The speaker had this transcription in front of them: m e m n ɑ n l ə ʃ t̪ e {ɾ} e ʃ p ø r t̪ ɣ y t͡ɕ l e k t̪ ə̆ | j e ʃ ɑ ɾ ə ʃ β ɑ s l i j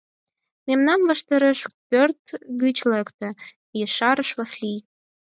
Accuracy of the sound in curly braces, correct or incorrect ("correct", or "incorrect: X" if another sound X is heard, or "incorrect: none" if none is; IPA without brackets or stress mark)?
correct